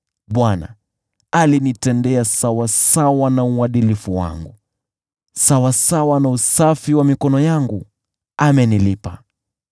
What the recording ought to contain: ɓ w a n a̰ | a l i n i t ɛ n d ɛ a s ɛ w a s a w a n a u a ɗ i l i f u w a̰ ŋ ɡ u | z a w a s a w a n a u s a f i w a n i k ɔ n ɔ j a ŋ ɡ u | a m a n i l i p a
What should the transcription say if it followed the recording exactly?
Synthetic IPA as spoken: ɓ w a n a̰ | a l i n i t ɛ n d ɛ a s a w a s a w a n a u a ɗ i l i f u w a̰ ŋ ɡ u | s a w a s a w a n a u s a f i w a m i k ɔ n ɔ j a ŋ ɡ u | a m ɛ n i l i p a